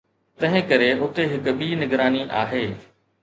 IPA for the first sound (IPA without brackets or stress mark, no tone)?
t̪